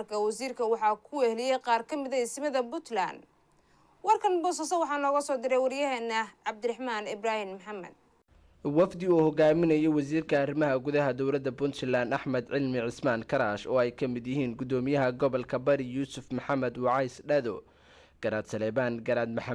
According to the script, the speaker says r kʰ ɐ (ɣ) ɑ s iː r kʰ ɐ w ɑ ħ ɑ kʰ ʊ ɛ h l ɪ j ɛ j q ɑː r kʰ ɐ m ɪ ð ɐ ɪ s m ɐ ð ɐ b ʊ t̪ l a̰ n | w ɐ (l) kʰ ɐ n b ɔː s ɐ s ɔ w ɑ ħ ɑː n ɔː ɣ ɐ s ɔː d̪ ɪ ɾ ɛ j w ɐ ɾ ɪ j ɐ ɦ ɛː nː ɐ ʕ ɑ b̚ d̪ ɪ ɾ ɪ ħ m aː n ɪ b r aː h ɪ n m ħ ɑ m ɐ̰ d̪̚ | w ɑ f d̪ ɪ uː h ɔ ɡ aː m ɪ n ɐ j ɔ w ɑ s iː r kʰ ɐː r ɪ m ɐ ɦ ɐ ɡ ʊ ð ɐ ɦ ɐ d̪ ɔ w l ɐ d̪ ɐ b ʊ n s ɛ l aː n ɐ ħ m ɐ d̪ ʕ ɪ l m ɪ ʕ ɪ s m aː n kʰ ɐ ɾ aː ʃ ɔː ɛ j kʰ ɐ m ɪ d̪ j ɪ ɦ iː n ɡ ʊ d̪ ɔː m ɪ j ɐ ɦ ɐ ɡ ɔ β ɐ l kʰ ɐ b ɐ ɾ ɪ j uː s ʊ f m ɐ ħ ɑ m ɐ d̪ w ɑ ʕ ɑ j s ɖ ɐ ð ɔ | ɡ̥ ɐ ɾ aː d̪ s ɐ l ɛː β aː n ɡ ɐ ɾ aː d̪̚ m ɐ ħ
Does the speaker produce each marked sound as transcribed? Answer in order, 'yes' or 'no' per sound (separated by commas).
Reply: no, no